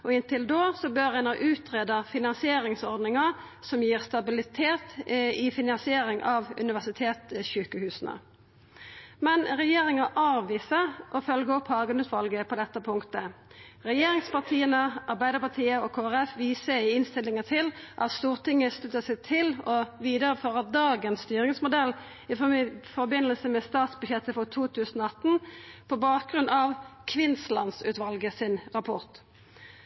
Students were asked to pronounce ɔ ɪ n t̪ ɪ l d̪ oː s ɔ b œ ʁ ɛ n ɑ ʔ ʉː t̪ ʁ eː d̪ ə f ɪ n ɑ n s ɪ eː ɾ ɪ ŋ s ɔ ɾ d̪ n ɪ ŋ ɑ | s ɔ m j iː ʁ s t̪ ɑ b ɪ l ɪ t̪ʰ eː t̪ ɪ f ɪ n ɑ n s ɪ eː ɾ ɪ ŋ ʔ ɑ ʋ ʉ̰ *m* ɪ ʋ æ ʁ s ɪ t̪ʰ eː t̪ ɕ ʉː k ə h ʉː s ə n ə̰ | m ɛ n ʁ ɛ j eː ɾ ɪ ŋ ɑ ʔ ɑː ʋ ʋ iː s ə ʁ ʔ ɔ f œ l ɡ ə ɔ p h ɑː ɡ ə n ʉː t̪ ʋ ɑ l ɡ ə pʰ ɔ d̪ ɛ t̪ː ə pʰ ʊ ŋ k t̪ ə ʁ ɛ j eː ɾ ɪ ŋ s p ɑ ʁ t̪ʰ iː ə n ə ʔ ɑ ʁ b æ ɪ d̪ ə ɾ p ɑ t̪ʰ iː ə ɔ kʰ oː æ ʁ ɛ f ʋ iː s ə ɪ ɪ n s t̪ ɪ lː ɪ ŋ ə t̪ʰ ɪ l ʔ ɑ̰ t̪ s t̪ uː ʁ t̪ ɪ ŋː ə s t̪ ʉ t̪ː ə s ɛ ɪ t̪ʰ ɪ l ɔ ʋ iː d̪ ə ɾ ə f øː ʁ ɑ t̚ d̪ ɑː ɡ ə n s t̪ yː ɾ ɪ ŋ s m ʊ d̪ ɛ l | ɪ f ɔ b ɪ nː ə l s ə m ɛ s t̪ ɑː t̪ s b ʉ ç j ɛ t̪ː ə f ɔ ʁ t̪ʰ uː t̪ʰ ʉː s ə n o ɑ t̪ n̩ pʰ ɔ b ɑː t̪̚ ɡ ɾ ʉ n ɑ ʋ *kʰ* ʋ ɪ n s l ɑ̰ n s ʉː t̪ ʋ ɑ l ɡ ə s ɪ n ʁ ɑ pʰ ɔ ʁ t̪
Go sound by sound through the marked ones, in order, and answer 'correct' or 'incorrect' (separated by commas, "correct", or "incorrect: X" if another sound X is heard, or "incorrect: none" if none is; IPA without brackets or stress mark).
incorrect: n, correct